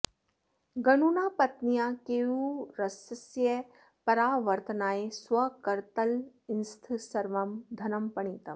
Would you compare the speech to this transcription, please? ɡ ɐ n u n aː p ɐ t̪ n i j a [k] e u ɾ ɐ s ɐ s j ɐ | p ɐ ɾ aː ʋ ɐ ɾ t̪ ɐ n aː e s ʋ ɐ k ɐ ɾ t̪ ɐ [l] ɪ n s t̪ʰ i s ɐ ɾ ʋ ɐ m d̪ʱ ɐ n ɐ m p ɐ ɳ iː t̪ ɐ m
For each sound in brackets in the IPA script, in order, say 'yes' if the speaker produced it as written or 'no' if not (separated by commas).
yes, yes